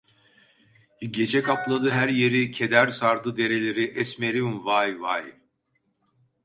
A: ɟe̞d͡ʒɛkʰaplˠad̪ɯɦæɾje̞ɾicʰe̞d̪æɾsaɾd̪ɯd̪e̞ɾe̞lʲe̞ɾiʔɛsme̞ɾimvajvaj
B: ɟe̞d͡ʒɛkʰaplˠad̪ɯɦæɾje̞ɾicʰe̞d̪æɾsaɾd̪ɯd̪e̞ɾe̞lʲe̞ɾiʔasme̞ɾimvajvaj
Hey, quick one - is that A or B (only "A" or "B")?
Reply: A